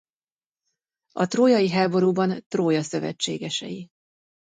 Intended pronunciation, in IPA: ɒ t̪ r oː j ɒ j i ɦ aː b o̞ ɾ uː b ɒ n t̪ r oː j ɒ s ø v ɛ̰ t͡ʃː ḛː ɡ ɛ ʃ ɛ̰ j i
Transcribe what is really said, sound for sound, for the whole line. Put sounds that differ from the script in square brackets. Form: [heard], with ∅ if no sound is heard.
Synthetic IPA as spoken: ɒ t̪ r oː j ɒ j i ɦ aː b o̞ ɾ uː b ɒ n t̪ r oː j ɒ s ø v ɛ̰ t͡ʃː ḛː ɡ ɛ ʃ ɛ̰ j i

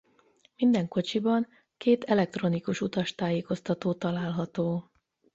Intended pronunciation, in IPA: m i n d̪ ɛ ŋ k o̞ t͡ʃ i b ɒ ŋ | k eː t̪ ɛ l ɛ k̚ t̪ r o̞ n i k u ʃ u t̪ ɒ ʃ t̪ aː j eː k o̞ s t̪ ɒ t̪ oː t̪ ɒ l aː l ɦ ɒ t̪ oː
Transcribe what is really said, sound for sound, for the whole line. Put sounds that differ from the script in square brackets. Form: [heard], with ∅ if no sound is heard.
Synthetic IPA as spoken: m i n d̪ ɛ ŋ k o̞ t͡ʃ i b ɒ ŋ | k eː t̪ ɛ l ɛ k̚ t̪ r o̞ n i k u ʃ u t̪ ɒ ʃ t̪ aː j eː k o̞ s t̪ ɒ t̪ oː t̪ ɒ l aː l ɦ ɒ t̪ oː

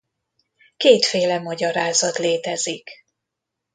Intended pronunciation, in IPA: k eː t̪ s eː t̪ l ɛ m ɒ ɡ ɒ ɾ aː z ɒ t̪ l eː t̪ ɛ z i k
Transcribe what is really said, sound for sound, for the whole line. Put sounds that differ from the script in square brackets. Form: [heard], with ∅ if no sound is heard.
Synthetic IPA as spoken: k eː t̪ [f] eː [∅] l ɛ m ɒ [ɟ] ɒ ɾ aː z ɒ t̪ l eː t̪ ɛ z i k

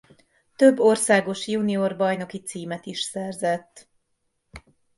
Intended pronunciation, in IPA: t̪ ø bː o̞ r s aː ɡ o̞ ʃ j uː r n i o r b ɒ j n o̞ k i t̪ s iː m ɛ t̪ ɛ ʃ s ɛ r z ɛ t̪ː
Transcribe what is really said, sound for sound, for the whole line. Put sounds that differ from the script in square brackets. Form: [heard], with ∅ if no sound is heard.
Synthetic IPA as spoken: t̪ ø bː o̞ r s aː ɡ o̞ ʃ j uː [∅] n i o r b ɒ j n o̞ k i t̪ s iː m ɛ t̪ [i] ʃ s ɛ r z ɛ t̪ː

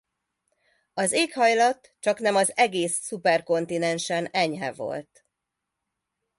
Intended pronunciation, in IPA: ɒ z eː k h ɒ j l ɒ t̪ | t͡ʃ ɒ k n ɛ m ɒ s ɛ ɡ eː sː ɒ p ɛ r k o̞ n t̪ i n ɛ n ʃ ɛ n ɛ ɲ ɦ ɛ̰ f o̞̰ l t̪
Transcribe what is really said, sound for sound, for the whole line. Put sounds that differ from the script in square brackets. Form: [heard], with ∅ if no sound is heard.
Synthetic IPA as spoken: ɒ z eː k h ɒ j l ɒ t̪ | t͡ʃ ɒ k n ɛ m ɒ [z] ɛ ɡ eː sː [u] p ɛ r k o̞ n t̪ i n ɛ n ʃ ɛ n ɛ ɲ ɦ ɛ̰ [v] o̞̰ l t̪

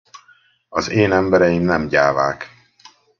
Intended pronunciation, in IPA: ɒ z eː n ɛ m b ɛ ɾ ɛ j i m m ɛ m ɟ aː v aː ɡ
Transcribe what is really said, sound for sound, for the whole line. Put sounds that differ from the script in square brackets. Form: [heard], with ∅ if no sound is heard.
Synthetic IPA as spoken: ɒ z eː n ɛ m b ɛ ɾ ɛ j i m [n] ɛ m ɟ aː v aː [k]

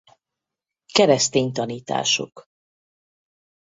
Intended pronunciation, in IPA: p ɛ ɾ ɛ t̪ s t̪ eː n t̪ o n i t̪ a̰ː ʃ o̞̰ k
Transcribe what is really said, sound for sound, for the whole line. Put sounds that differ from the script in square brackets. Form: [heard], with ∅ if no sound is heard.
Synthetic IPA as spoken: [k] ɛ ɾ ɛ [∅] s t̪ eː [ɲ] t̪ [ɒ] n [iː] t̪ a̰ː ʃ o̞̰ k

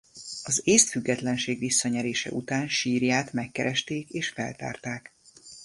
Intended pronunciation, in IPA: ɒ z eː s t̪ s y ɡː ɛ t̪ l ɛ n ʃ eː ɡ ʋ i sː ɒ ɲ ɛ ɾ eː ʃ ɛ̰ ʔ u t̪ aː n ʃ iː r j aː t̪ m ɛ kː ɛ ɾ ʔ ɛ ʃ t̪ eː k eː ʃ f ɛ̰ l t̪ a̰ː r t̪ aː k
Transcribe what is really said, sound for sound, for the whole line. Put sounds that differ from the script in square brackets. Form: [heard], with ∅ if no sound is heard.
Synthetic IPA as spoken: ɒ z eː s t̪ [f] y ɡː ɛ t̪ l ɛ n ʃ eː ɡ ʋ i sː ɒ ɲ ɛ ɾ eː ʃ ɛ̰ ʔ u t̪ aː n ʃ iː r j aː t̪ m ɛ kː ɛ ɾ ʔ ɛ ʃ t̪ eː k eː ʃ f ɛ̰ l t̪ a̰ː r t̪ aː k

